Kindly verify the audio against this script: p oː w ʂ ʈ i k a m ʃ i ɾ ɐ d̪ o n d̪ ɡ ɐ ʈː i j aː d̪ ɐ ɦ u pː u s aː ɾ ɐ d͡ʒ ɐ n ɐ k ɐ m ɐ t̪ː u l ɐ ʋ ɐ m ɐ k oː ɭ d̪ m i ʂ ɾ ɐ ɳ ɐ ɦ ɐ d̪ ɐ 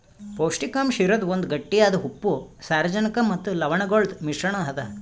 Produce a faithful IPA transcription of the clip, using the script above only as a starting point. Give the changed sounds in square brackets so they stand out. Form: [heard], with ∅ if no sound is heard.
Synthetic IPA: p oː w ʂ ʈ i k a m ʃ i ɾ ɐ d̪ o n d̪ ɡ ɐ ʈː i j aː d̪ ɐ ɦ u pː u s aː ɾ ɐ d͡ʒ ɐ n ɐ k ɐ m ɐ t̪ː u l ɐ ʋ ɐ [ɳ] ɐ [ɡ] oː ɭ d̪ m i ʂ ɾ ɐ ɳ ɐ ɦ ɐ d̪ ɐ